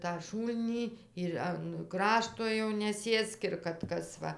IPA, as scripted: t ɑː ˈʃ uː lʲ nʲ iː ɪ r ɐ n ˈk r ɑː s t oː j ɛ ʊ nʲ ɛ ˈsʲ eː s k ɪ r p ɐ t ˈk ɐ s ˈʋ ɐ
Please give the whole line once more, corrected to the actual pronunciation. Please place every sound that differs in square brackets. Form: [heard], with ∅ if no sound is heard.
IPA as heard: t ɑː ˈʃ uː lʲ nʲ iː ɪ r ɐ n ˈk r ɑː [ʃ] t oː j ɛ ʊ nʲ ɛ ˈsʲ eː s k ɪ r [k] ɐ t ˈk ɐ s ˈʋ ɐ

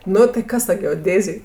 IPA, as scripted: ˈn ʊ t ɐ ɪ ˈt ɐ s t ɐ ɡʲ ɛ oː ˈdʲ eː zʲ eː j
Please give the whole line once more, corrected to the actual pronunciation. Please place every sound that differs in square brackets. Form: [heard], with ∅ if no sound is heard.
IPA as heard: ˈn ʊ t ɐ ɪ [ˈk] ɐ s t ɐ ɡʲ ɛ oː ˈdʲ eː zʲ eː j

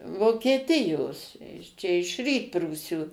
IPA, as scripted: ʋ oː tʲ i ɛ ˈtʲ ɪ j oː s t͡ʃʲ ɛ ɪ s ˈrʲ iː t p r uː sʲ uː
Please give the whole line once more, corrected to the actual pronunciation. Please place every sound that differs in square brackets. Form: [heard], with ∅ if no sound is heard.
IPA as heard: ʋ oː [kʲ] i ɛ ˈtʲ ɪ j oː s t͡ʃʲ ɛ ɪ [ʃ] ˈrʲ iː t p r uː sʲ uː

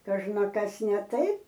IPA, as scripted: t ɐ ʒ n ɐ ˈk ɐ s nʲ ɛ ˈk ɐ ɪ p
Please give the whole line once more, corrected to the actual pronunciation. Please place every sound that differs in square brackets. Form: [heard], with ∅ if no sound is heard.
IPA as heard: [k] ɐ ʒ n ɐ ˈk ɐ s nʲ ɛ [ˈt] ɐ ɪ p

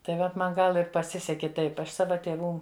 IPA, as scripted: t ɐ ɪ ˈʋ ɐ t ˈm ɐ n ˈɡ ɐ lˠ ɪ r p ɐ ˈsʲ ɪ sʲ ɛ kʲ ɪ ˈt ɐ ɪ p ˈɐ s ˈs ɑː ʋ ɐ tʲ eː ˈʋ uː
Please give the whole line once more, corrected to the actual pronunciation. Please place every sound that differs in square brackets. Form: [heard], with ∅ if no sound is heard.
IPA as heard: t ɐ ɪ ˈʋ ɐ t ˈm ɐ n ˈɡ ɐ lˠ ɪ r p ɐ ˈsʲ ɪ sʲ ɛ kʲ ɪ ˈt ɐ ɪ p ˈɐ [ʃ] ˈs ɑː ʋ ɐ tʲ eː ˈʋ uː

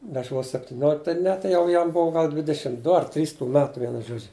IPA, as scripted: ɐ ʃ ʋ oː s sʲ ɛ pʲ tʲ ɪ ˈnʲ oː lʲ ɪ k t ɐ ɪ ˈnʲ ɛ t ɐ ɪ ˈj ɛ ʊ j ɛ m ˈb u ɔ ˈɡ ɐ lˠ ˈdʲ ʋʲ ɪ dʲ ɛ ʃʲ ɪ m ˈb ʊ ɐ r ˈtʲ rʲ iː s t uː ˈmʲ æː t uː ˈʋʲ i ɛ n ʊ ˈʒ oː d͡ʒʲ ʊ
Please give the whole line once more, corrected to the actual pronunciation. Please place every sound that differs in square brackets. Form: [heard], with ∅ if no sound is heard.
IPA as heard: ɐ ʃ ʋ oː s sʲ ɛ pʲ tʲ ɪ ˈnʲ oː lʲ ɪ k t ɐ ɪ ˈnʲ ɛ t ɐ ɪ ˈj ɛ ʊ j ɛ m ˈb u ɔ ˈɡ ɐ lˠ ˈdʲ ʋʲ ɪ dʲ ɛ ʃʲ ɪ m [ˈd] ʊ ɐ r ˈtʲ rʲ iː s t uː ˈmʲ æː t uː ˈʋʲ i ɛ n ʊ ˈʒ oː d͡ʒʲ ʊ

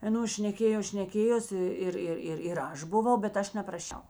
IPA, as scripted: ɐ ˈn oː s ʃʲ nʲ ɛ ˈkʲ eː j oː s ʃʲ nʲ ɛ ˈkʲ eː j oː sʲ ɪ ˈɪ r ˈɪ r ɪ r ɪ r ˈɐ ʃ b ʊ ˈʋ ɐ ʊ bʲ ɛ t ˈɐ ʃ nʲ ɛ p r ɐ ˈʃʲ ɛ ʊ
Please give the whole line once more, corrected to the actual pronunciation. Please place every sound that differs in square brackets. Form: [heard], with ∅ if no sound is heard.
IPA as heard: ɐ ˈn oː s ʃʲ nʲ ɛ ˈkʲ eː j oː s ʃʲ nʲ ɛ ˈkʲ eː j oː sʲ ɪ ˈɪ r ˈɪ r ɪ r ɪ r ˈɐ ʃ b ʊ ˈʋ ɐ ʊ bʲ ɛ t ˈɐ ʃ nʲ ɛ p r ɐ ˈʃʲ ɛ ʊ

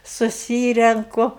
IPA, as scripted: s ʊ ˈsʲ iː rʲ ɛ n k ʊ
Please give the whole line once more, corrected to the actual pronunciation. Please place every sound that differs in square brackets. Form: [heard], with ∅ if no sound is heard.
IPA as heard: s ʊ ˈsʲ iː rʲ ɛ [ŋ] k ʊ

